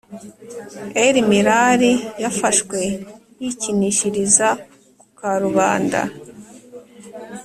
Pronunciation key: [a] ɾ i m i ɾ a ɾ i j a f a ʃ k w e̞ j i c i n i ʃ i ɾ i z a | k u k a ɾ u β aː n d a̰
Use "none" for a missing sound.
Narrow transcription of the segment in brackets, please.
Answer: e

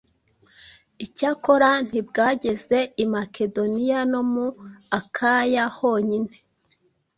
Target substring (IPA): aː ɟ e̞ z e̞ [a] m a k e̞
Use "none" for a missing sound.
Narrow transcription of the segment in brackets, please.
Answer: i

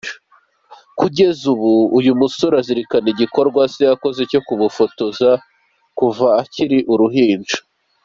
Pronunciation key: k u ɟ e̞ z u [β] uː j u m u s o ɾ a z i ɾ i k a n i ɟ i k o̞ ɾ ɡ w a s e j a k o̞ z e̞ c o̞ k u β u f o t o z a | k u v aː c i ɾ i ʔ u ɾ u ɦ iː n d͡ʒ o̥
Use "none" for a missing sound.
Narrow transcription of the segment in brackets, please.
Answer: β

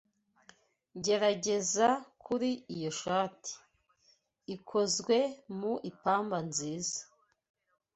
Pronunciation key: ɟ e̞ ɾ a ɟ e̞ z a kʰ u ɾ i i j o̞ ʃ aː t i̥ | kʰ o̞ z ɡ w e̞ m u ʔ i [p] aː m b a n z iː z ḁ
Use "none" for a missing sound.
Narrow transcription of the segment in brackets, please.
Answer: p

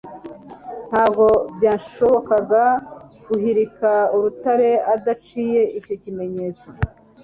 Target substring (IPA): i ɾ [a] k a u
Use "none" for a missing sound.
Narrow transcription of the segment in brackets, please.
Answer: i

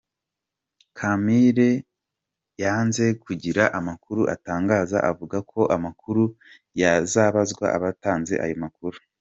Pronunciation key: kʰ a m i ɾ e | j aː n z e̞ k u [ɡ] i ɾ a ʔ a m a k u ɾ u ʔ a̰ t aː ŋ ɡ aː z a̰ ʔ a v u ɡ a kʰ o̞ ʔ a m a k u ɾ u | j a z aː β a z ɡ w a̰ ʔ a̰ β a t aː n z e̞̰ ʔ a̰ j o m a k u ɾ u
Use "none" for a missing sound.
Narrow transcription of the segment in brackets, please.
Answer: ɟ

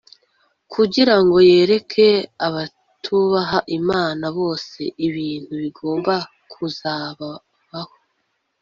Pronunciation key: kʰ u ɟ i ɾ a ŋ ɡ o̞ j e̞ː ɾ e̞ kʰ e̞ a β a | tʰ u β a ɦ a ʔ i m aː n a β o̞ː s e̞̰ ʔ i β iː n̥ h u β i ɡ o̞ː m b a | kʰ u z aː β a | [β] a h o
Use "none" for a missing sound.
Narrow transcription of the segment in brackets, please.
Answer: β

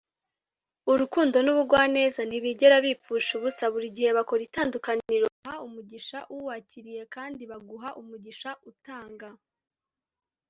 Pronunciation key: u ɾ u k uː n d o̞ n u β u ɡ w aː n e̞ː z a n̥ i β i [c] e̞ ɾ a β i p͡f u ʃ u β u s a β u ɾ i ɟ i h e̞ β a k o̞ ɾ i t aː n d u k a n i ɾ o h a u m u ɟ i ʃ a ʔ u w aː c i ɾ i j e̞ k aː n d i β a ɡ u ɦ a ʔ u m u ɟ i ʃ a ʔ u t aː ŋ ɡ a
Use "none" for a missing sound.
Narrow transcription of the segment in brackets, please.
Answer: ɟ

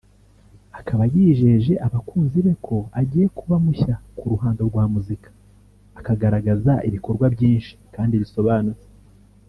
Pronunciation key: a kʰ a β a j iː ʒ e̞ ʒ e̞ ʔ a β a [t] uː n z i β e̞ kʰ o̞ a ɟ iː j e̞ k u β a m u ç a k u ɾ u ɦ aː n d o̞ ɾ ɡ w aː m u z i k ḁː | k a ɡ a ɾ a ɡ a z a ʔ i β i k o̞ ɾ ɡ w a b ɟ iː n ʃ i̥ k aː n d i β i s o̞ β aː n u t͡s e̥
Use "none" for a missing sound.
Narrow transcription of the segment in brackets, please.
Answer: k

